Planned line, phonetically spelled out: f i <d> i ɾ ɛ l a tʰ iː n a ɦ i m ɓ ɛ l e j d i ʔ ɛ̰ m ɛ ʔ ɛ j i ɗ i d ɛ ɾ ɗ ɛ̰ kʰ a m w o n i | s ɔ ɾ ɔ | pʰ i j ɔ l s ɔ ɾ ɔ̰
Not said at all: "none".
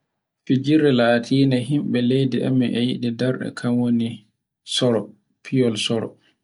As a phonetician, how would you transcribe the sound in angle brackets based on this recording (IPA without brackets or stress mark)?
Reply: d͡ʒ